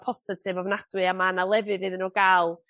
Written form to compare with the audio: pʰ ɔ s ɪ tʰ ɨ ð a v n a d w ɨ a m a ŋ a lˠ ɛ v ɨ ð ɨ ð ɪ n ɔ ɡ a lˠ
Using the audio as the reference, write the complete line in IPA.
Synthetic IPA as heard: pʰ ɔ s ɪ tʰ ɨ v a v n a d w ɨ a m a n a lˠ ɛ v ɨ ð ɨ ð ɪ n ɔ ɡ a lˠ